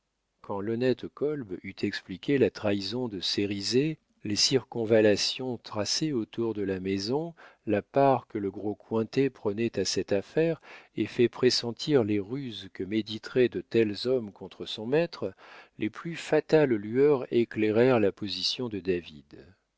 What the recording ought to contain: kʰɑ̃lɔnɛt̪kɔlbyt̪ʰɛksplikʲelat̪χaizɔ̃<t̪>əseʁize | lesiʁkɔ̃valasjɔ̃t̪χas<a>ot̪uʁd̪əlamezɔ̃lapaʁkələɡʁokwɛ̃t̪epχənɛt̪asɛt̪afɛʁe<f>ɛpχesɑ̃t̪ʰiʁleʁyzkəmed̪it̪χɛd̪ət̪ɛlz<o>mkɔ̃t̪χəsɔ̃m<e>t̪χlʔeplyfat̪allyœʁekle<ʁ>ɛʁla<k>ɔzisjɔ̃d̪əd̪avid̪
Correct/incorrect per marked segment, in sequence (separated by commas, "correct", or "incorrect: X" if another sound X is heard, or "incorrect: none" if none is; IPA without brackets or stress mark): incorrect: d̪, incorrect: e, correct, incorrect: ɔ, incorrect: ɛ, correct, incorrect: p